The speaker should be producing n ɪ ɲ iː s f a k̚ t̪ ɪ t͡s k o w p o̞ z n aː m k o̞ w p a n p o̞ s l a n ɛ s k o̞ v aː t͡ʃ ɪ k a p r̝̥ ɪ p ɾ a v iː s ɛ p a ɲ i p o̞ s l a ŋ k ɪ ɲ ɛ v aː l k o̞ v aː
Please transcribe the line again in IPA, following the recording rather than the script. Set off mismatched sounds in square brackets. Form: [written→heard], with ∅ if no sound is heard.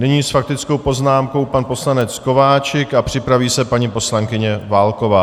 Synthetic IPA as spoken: n ɪ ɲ iː s f a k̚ t̪ ɪ t͡s k o w p o̞ z n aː m k o̞ w p a n p o̞ s l a n ɛ [s→t͡s] k o̞ v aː t͡ʃ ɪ k a p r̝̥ ɪ p ɾ a v iː s ɛ p a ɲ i p o̞ s l a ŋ k ɪ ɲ ɛ v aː l k o̞ v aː